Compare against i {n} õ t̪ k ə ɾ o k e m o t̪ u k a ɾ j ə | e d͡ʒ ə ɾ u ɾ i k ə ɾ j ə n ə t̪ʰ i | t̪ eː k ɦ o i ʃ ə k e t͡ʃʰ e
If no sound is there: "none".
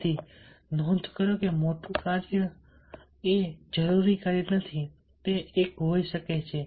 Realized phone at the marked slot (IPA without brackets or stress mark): n